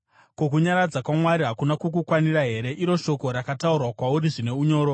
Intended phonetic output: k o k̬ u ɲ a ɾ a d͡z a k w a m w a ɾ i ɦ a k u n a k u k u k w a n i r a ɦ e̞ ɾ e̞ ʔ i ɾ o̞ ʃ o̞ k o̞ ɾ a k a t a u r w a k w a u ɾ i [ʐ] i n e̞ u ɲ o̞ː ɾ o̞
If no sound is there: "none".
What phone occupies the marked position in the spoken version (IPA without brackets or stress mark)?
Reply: ʐ